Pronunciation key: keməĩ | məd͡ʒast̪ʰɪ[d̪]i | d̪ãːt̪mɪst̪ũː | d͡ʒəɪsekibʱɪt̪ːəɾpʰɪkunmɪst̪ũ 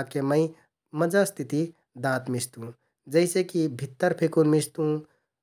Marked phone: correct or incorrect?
incorrect